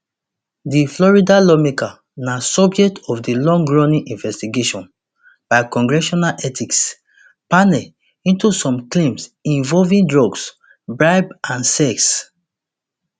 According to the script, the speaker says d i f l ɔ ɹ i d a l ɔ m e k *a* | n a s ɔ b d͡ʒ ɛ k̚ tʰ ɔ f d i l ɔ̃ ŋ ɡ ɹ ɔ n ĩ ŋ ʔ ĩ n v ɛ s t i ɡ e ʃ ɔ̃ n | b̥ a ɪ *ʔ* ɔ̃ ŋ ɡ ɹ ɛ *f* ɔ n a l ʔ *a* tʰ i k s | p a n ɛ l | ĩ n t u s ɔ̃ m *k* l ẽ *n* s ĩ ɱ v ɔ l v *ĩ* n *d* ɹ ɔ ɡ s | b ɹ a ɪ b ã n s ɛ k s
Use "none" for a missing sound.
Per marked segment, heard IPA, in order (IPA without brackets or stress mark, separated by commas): a, k, ʃ, ɛ, k, m, ĩ, d